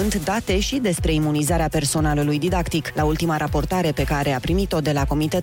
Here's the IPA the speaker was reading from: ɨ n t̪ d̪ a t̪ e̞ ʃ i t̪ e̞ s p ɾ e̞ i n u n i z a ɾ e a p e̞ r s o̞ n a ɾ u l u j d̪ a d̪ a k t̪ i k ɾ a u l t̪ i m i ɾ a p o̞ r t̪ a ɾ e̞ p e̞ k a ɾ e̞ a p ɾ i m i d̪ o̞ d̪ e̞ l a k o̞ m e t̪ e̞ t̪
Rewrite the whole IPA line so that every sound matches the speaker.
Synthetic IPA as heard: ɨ n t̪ d̪ a t̪ e̞ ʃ i d̪ e̞ s p ɾ e̞ i m u n i z a ɾ e a p e̞ r s o̞ n a l u l u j d̪ i d̪ a k t̪ i k l a u l t̪ i m a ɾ a p o̞ r t̪ a ɾ e̞ p e̞ k a ɾ e̞ a p ɾ i m i t̪ o̞ d̪ e̞ l a k o̞ m i t̪ e̞ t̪